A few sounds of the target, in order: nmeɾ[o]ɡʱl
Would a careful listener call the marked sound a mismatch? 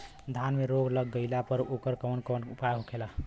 no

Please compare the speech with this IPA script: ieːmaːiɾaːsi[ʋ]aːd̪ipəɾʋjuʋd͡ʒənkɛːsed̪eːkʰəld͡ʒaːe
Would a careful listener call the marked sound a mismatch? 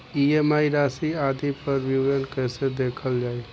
yes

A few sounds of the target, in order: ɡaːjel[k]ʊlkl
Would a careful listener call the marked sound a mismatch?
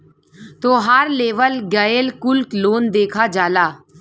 no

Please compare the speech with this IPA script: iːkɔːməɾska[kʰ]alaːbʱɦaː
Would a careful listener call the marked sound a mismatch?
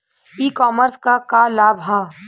yes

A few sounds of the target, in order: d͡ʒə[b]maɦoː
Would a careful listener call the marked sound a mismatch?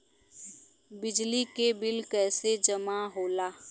yes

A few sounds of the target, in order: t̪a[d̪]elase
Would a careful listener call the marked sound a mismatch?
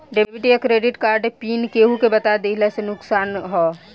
no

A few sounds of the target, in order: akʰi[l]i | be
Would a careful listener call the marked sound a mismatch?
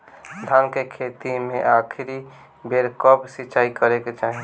yes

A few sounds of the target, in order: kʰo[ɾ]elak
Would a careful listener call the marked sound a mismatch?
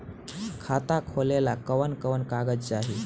yes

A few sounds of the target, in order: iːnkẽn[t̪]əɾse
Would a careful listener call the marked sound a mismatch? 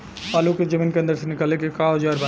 yes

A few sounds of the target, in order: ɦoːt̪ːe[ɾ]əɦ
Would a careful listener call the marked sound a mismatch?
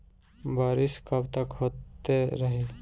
no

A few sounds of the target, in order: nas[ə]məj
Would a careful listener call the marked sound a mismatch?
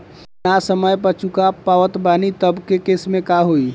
no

